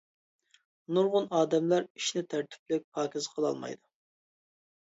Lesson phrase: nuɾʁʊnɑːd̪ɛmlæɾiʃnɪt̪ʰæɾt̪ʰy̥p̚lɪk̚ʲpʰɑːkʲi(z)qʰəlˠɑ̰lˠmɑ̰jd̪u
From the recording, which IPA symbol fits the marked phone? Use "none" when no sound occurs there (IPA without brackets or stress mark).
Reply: z